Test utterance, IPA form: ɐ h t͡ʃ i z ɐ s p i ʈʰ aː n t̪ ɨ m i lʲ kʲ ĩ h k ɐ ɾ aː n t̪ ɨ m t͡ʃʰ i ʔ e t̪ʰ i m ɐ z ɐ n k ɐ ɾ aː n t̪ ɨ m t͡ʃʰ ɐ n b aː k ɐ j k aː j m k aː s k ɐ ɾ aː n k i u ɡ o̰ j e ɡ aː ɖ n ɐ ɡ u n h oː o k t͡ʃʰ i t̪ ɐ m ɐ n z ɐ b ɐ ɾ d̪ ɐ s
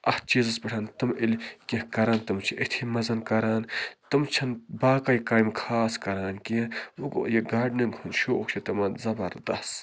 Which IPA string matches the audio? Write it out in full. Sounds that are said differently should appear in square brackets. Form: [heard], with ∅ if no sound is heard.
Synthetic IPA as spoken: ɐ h t͡ʃ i z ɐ s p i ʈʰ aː n t̪ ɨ m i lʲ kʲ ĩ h k ɐ ɾ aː n t̪ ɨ m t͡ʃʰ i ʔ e t̪ʰ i m ɐ z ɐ n k ɐ ɾ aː n t̪ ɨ m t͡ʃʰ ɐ n b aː k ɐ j k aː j m [kʰ] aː s k ɐ ɾ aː n k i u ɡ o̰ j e ɡ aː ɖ n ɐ ɡ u n [ʃ] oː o k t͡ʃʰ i t̪ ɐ m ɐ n z ɐ b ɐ ɾ d̪ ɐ s